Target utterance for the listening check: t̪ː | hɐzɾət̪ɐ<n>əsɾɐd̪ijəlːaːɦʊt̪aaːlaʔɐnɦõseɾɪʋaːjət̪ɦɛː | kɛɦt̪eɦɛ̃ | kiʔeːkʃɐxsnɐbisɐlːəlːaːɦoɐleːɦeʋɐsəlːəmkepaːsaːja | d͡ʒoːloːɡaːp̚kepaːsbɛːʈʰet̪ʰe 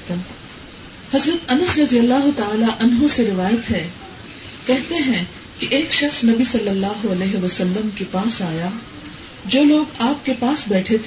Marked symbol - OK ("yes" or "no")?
yes